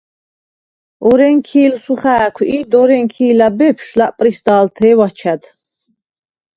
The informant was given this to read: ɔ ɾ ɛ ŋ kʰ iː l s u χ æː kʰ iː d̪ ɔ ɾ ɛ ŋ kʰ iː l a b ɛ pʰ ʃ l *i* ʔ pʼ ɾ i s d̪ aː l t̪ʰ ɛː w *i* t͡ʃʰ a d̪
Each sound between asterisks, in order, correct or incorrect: incorrect: a, incorrect: a

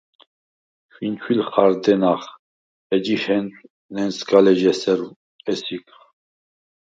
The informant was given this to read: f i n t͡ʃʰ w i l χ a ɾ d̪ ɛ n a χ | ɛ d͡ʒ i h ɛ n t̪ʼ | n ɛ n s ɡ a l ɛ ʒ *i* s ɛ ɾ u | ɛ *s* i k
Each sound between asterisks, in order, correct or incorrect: incorrect: ɛ, correct

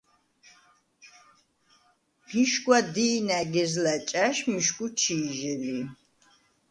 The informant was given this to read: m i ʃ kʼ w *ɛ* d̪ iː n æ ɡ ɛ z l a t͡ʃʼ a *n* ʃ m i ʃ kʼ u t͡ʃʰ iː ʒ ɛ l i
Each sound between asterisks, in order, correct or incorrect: incorrect: a, incorrect: none

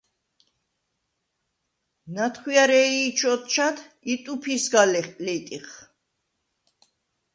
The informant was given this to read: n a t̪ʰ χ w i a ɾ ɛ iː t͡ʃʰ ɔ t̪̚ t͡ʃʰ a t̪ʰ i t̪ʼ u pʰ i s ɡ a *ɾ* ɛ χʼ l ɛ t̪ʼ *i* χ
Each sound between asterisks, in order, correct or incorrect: incorrect: l, correct

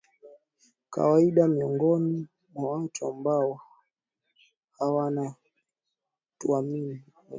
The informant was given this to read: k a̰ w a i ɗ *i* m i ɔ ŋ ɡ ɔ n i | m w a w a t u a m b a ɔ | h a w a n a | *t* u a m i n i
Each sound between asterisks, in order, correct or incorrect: incorrect: a, correct

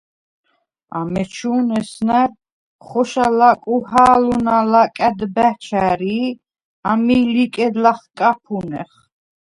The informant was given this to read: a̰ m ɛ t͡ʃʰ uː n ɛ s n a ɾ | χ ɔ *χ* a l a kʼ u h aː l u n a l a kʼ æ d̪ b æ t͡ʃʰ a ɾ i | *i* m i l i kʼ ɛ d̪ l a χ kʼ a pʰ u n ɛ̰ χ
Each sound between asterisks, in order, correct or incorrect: incorrect: ʃ, incorrect: a

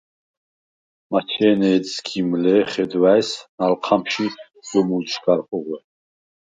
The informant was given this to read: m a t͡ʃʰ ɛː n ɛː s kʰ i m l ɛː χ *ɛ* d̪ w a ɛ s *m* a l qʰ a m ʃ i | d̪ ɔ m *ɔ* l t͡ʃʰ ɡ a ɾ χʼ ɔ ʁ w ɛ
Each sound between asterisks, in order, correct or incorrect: correct, incorrect: n, incorrect: u

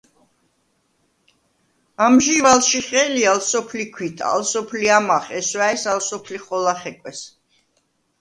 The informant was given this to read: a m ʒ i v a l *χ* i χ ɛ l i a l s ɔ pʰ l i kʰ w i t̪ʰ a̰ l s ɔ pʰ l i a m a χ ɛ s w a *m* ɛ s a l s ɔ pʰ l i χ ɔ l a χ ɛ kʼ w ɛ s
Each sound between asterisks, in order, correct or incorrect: incorrect: ʃ, incorrect: none

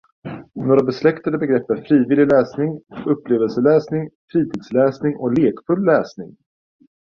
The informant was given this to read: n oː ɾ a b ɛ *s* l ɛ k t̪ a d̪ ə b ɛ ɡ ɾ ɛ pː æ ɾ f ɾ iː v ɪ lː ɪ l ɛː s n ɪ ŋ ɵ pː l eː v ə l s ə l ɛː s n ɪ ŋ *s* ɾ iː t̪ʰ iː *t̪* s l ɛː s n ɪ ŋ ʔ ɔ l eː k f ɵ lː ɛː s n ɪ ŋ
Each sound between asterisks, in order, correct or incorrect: correct, incorrect: f, incorrect: d̪

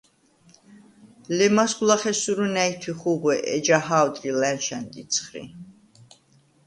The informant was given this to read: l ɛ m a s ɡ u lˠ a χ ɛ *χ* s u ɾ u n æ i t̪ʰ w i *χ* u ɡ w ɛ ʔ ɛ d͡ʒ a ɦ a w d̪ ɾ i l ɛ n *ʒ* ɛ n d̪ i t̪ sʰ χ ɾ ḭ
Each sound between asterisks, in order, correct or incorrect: incorrect: none, correct, incorrect: ʃ

